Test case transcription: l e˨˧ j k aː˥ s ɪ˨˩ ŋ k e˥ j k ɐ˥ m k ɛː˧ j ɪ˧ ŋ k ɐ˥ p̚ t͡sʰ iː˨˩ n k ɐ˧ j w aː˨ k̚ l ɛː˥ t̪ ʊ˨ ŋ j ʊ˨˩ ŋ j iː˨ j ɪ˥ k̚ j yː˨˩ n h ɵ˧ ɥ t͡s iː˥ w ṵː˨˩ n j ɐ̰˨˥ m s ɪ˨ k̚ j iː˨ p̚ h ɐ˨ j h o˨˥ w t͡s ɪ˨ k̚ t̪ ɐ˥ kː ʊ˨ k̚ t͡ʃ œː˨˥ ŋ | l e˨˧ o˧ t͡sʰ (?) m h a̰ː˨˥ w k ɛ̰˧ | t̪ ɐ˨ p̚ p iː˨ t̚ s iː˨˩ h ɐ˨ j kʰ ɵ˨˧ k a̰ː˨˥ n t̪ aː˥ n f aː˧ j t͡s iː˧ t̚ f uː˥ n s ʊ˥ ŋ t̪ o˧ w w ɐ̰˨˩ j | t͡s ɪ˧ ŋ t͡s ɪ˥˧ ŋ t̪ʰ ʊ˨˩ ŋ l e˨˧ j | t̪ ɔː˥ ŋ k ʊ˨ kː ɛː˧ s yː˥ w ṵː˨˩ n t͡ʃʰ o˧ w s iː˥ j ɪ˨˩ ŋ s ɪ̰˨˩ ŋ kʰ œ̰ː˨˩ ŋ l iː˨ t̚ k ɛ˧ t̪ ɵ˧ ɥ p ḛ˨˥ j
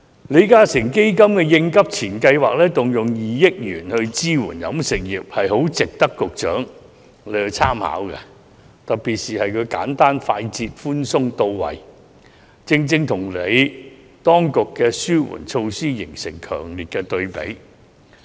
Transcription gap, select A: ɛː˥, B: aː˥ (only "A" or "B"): B